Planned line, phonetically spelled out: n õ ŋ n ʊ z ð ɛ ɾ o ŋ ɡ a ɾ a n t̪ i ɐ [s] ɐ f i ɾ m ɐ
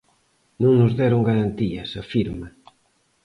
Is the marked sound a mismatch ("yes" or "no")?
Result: no